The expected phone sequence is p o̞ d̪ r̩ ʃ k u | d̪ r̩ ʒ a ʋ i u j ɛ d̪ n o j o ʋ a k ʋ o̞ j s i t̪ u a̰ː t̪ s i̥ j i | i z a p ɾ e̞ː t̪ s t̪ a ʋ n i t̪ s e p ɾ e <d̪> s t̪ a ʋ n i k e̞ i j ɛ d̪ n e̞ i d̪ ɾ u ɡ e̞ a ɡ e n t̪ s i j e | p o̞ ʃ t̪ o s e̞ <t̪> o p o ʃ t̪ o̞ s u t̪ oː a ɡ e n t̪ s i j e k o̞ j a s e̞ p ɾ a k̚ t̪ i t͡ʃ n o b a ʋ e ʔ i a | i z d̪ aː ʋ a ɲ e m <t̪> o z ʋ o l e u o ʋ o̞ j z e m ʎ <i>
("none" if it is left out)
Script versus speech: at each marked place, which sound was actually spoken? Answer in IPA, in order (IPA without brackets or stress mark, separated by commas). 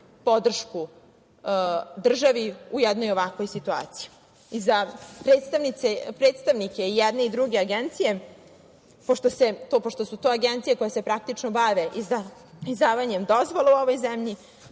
t̪, t̪, d̪, i